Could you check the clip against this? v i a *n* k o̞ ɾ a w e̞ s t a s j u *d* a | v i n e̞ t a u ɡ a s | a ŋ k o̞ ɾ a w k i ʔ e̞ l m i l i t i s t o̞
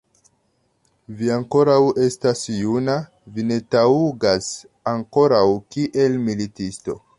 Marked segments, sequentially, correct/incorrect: incorrect, incorrect

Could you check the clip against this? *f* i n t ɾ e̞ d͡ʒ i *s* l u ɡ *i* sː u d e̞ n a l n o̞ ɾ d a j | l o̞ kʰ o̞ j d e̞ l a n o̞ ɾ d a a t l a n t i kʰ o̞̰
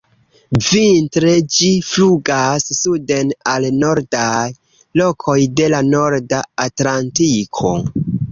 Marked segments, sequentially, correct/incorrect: incorrect, incorrect, incorrect

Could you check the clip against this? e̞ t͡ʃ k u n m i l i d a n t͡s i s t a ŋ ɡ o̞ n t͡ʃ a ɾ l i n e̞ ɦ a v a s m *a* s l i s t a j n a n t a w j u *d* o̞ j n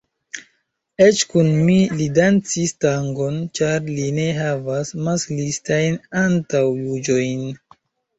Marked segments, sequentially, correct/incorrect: correct, incorrect

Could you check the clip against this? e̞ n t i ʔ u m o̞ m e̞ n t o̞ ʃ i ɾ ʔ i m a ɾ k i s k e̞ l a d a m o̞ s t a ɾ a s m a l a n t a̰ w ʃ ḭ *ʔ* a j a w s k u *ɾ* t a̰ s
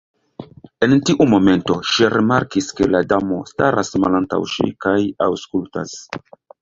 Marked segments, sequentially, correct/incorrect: incorrect, incorrect

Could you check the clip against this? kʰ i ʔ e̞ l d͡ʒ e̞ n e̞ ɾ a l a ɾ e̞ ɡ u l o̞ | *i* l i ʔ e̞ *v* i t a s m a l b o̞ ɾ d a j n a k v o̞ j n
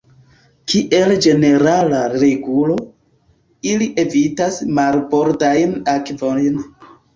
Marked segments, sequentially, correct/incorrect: correct, correct

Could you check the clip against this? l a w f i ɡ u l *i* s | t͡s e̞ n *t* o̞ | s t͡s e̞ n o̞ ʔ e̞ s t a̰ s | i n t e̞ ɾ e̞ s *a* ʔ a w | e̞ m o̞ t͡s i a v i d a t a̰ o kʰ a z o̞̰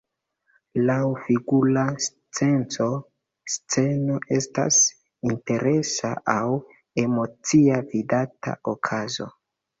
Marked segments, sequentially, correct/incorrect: incorrect, incorrect, correct

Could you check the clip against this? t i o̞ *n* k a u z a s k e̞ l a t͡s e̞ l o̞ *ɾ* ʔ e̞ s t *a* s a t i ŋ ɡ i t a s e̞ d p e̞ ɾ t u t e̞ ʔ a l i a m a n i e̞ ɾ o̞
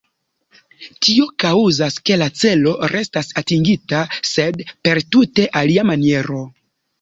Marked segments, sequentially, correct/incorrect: incorrect, correct, correct

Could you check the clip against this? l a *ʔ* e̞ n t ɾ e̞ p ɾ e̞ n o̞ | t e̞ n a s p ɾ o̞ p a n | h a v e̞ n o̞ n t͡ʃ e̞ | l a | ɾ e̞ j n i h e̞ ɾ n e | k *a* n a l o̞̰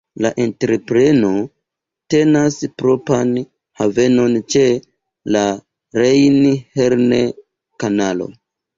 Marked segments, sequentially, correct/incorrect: correct, correct

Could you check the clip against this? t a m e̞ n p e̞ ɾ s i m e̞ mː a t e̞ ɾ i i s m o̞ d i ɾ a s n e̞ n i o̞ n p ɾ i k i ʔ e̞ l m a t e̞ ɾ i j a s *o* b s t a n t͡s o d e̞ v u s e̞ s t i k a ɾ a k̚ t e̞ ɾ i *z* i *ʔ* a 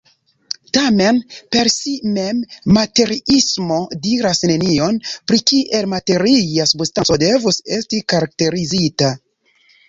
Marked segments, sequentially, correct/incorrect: incorrect, correct, incorrect

